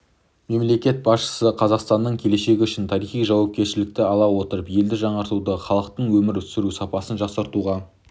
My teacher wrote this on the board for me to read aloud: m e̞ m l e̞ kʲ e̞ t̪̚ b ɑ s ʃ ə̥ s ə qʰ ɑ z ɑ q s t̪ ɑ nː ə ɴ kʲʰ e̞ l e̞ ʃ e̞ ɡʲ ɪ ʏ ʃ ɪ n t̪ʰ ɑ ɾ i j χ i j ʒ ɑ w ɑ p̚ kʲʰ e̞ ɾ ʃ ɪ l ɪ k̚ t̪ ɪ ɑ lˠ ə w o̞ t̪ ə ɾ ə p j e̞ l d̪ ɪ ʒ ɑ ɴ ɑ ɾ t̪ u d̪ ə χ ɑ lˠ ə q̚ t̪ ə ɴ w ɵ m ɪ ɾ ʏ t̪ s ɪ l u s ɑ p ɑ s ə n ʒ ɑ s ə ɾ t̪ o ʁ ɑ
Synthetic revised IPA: m e̞ m l e̞ kʲ e̞ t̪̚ b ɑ s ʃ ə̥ s ə qʰ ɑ z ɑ q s t̪ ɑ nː ə ɴ kʲʰ e̞ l e̞ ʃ e̞ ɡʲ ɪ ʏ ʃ ɪ n t̪ʰ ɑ ɾ i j χ i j ʒ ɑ w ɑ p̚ kʲ e̞ ɾ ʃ ɪ l ɪ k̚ t̪ ɪ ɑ lˠ ɑ w o̞ t̪ ə ɾ ə p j e̞ l d̪ ɪ ʒ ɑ ɴ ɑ ɾ t̪ u d̪ ə χ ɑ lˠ ə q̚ t̪ ə ɴ w ɵ m ɪ ɾ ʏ t̪ s ɪ ɾ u s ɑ p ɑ s ə n ʒ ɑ s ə ɾ t̪ u ʁ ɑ